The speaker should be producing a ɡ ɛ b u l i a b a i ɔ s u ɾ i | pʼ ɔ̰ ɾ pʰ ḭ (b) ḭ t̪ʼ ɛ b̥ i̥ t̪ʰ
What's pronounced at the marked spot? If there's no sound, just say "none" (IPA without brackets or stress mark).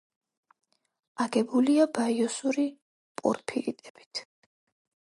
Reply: none